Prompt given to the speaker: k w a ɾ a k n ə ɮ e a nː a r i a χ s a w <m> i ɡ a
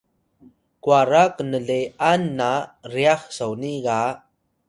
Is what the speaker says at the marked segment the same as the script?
no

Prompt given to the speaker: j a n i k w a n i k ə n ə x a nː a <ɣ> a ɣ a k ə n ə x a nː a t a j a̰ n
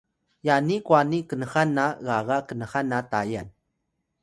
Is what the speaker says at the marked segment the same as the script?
yes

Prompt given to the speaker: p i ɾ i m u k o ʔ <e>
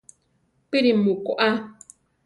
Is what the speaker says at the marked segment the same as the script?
no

